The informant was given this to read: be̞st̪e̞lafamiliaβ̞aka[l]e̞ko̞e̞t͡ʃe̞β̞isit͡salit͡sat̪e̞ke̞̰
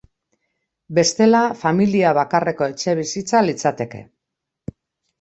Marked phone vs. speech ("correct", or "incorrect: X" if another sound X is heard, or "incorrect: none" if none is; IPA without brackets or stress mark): incorrect: r